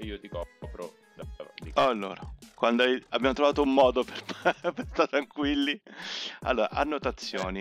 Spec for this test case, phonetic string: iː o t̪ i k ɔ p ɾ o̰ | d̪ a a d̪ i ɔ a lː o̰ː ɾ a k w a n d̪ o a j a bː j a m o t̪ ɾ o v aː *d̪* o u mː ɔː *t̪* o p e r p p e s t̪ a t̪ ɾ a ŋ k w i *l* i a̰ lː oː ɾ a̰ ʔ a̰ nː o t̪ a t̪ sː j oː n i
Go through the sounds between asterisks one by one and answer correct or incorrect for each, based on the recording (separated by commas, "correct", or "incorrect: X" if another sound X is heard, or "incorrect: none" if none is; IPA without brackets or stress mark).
incorrect: t̪, incorrect: d̪, incorrect: lː